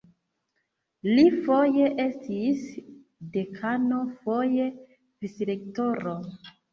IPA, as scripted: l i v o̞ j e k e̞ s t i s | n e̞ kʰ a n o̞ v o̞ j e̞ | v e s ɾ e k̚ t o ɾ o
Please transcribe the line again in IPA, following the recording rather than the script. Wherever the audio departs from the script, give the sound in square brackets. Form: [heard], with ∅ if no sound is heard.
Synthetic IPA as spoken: l i [f] o̞ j e [ʔ] e̞ s t i s | [d] e̞ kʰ a n o̞ [f] o̞ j e̞ | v [i] s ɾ e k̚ t o ɾ o